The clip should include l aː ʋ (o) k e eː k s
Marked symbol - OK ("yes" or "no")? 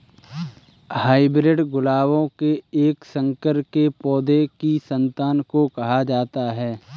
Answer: no